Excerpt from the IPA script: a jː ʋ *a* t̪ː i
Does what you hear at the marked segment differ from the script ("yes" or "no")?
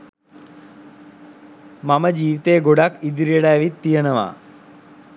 yes